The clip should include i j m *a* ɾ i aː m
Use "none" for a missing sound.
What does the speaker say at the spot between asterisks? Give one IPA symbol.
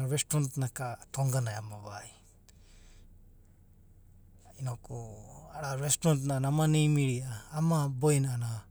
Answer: i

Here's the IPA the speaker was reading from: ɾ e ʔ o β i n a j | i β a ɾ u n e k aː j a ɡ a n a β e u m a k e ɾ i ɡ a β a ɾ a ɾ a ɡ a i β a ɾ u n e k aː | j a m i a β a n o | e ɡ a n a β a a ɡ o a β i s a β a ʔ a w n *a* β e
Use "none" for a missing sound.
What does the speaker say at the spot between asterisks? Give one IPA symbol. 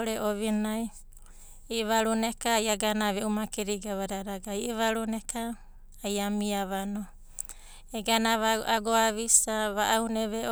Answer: e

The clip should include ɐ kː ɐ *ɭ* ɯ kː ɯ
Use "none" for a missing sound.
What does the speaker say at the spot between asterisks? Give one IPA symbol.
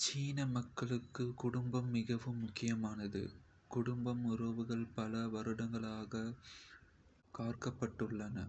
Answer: ɭ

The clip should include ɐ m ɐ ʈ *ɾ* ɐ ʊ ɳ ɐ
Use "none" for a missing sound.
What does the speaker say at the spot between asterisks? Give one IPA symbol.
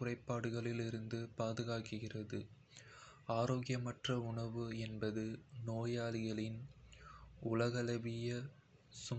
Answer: r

